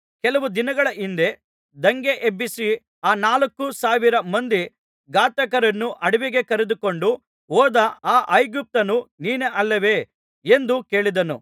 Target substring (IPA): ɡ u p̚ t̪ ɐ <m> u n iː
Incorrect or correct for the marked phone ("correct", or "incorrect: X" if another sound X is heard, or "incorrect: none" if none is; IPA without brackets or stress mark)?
incorrect: n